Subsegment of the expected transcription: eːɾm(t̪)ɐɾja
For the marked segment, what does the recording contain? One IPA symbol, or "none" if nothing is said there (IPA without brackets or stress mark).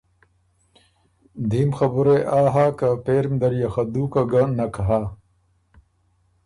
d̪